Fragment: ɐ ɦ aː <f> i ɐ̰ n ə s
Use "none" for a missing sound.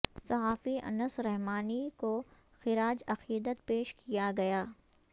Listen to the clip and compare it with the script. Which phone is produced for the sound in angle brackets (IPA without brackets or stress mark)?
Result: f